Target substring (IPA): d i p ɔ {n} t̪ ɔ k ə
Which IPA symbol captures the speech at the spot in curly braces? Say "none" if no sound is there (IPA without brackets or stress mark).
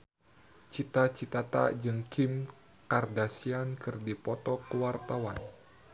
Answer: none